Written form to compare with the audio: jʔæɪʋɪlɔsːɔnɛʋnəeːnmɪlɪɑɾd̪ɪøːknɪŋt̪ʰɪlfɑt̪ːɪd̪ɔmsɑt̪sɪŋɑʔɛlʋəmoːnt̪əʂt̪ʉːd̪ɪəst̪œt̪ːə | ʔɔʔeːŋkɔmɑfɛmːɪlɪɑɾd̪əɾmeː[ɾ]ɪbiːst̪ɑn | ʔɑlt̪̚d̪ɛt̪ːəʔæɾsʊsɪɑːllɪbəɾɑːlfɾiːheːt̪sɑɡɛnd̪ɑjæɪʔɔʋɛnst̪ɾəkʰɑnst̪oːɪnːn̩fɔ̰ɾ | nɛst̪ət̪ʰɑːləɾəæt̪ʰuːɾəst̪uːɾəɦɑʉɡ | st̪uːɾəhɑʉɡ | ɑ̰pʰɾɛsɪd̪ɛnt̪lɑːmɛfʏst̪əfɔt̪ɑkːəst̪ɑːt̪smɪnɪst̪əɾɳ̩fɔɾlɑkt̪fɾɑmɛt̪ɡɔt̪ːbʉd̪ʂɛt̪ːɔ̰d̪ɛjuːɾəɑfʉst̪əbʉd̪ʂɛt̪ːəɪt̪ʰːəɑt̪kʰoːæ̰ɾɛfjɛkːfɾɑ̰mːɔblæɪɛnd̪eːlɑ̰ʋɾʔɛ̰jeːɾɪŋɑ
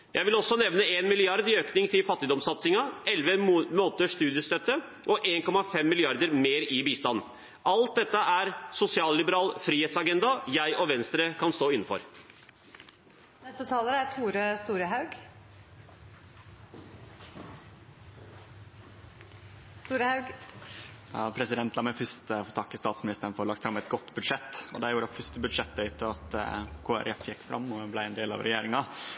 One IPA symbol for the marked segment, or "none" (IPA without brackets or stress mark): ɾ